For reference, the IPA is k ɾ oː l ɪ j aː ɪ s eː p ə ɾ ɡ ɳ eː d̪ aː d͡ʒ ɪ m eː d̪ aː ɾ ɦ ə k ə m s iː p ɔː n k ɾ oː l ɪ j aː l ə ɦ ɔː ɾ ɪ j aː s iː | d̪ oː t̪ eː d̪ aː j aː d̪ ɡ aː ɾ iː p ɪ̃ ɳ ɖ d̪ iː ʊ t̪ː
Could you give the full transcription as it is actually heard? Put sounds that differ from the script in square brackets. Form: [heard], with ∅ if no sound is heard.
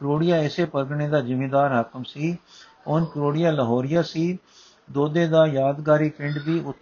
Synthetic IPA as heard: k ɾ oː [ɽ] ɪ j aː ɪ s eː p ə ɾ ɡ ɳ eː d̪ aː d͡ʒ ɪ m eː d̪ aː ɾ ɦ ə k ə m s iː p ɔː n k ɾ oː [ɽ] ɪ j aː l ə ɦ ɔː ɾ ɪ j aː s iː | d̪ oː [d̪] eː d̪ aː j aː d̪ ɡ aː ɾ iː p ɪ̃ ɳ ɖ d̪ iː ʊ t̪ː